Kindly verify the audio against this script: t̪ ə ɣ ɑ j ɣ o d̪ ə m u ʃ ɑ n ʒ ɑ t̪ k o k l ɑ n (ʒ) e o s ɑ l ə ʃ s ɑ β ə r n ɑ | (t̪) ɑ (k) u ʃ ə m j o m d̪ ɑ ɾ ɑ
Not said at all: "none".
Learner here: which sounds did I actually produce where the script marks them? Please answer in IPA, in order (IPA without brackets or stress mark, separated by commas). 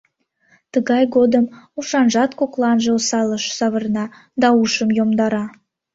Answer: ʒ, d̪, none